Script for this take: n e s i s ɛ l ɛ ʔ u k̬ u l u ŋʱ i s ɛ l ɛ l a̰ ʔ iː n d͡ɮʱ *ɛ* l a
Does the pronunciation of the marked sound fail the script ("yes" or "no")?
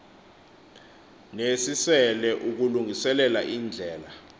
yes